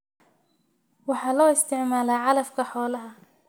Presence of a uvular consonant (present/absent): absent